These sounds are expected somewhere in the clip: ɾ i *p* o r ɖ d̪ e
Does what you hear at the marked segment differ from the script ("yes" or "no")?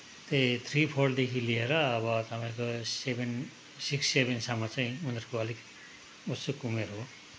yes